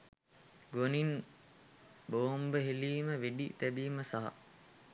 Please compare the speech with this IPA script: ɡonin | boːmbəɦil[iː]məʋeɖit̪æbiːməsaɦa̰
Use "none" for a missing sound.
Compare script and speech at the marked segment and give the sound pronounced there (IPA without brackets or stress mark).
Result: iː